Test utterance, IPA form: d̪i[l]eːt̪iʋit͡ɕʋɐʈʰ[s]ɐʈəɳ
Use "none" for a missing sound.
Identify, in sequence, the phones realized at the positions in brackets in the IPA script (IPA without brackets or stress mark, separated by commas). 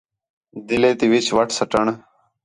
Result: l, s